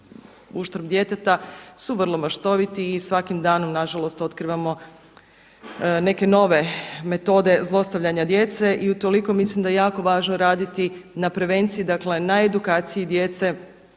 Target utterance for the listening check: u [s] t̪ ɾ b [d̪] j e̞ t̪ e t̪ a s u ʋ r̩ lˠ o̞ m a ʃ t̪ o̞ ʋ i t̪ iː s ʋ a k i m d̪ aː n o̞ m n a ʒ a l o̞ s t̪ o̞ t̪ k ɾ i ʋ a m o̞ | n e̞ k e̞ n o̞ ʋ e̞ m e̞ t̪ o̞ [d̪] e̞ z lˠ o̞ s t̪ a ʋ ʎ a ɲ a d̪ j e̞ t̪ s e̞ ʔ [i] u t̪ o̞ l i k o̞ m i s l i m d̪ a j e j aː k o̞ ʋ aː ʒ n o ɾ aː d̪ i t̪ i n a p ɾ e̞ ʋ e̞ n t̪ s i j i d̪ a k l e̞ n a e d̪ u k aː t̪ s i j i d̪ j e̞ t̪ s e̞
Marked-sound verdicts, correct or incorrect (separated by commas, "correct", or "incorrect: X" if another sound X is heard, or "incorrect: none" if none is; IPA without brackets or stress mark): incorrect: ʃ, correct, correct, correct